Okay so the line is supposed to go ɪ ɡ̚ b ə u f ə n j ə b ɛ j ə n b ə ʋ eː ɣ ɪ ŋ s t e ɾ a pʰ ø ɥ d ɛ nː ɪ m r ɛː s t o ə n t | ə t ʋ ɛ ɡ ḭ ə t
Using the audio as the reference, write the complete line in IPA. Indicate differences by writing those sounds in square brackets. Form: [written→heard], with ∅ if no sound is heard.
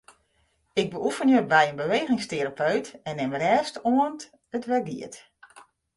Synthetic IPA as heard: ɪ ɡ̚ b ə u f ə n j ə b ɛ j ə n b ə ʋ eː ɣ ɪ ŋ s t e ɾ a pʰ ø ɥ [d→t] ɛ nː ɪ m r ɛː s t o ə n t | ə t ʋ ɛ ɡ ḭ ə t